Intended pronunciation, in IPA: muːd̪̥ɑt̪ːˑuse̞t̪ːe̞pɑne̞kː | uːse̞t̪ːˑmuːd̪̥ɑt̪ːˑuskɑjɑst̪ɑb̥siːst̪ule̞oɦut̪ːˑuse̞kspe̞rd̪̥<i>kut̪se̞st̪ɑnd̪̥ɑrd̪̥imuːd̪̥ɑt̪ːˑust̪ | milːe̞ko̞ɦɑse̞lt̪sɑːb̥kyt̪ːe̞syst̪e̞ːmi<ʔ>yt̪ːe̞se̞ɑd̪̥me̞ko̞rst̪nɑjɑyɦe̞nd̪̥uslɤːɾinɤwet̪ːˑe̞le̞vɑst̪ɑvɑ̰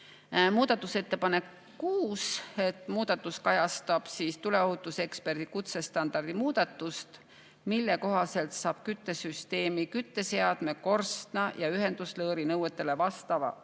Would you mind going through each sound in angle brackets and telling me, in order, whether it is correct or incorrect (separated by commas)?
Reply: correct, incorrect